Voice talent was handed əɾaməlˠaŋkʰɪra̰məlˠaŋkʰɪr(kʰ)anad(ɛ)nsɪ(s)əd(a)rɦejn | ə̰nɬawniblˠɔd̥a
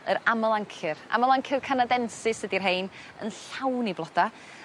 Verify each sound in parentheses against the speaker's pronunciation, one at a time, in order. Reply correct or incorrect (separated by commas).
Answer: correct, correct, correct, incorrect